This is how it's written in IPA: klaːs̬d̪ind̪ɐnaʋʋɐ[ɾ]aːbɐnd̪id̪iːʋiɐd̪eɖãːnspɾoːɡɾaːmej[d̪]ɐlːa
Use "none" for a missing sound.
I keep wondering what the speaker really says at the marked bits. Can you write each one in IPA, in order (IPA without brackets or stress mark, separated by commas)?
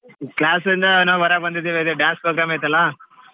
ɾ, t̪